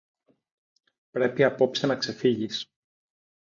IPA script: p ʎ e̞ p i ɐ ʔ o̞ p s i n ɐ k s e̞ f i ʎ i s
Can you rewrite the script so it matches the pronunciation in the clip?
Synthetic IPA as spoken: p ɾ e̞ p i ɐ p o̞ p s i n ɐ k s e̞ f i ʝ i s

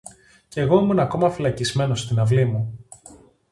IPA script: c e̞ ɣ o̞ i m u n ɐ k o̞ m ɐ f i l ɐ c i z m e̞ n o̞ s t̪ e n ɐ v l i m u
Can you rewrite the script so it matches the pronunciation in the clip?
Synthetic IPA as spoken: c e̞ ɣ o̞ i m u n ɐ k o̞ m ɐ f i l ɐ c i z m e̞ n o̞ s t̪ i n ɐ v l i m u

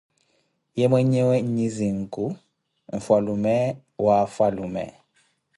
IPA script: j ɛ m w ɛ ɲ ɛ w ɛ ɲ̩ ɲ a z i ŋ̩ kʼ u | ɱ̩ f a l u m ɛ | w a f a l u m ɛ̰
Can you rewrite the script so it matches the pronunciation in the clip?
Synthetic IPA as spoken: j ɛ m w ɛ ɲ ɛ w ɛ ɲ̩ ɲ i z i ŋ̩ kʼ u | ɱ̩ f a l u m ɛ | w a f a l u m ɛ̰

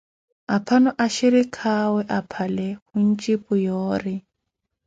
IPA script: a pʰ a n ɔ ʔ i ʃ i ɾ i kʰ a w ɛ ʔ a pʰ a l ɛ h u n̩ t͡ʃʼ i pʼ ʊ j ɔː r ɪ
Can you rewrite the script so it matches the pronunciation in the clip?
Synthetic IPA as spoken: a pʰ a n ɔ ʔ a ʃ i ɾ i kʰ a w ɛ ʔ a pʰ a l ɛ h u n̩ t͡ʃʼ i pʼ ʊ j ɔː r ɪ

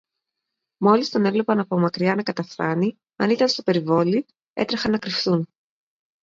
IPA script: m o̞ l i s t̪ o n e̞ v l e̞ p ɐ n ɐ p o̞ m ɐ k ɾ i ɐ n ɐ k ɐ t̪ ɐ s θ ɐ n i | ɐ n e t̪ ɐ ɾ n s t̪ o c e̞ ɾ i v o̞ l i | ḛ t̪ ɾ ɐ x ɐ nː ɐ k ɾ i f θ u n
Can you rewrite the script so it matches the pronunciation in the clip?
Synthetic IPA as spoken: m o̞ l i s t̪ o n e̞ v l e̞ p ɐ n ɐ p o̞ m ɐ k ɾ i ɐ n ɐ k ɐ t̪ ɐ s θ ɐ n i | ɐ n i t̪ ɐ n s t̪ o p e̞ ɾ i v o̞ l i | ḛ t̪ ɾ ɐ x ɐ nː ɐ k ɾ i f θ u n

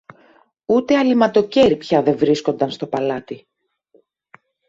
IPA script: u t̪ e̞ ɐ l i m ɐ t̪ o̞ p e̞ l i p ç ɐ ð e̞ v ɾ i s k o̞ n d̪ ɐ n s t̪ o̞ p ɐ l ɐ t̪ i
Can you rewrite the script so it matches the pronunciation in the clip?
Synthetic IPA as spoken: u t̪ e̞ ɐ l i m ɐ t̪ o̞ c e̞ ɾ i p ç ɐ ð e̞ v ɾ i s k o̞ n d̪ ɐ n s t̪ o̞ p ɐ l ɐ t̪ i

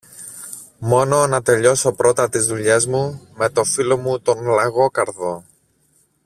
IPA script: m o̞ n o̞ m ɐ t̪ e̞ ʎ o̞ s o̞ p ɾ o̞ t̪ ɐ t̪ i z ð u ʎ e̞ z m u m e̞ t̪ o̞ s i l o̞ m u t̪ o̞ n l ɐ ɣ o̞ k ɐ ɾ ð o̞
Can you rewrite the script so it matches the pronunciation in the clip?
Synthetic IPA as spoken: m o̞ n o̞ n ɐ t̪ e̞ ʎ o̞ s o̞ p ɾ o̞ t̪ ɐ t̪ i z ð u ʎ e̞ z m u m e̞ t̪ o̞ f i l o̞ m u t̪ o̞ n l ɐ ɣ o̞ k ɐ ɾ ð o̞

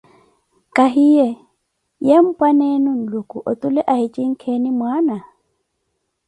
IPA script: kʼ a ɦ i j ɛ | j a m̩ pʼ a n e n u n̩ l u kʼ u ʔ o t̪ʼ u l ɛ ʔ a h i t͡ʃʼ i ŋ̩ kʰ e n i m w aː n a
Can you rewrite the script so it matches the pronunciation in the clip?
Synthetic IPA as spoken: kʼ a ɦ i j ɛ | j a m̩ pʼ a n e n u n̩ l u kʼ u ʔ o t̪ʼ u l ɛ ʔ a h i t͡ʃʼ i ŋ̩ kʰ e n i m w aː n a

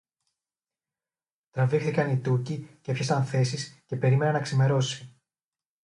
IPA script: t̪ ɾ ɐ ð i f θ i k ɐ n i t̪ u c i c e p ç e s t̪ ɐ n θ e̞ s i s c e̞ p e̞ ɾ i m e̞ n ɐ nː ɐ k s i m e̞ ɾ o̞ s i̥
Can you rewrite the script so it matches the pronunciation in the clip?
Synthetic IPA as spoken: t̪ ɾ ɐ v i x θ i k ɐ n i t̪ u c i c e p ç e s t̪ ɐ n θ e̞ s i s c e̞ p e̞ ɾ i m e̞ n ɐ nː ɐ k s i m e̞ ɾ o̞ s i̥

